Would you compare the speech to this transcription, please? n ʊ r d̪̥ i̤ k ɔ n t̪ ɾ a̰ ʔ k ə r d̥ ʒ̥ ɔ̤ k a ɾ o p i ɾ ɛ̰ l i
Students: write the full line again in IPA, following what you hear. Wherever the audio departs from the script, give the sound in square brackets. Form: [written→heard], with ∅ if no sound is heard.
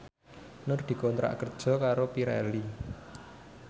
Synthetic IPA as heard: n ʊ r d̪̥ i̤ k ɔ n t̪ ɾ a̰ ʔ k ə r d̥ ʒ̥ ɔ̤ k a ɾ o p i ɾ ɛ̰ l i